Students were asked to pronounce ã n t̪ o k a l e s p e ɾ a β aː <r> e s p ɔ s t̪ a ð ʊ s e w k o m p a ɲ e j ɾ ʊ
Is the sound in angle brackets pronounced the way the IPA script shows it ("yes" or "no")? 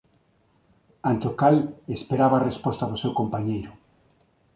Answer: yes